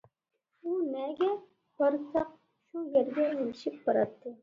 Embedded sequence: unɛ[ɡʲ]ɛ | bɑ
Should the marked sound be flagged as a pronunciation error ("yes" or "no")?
no